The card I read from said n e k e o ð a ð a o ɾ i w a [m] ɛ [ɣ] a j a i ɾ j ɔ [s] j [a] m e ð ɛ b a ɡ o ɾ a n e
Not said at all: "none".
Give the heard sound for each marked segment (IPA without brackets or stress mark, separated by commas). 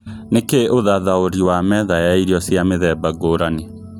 m, ð, s, a